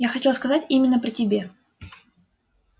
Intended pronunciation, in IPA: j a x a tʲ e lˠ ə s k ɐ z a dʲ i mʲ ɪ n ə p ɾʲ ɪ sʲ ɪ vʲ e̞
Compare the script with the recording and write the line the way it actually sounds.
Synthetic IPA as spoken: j a x ɐ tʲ e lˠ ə s k ɐ z a tʲ i mʲ ɪ nː ə p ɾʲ ɪ tʲ ɪ bʲ e̞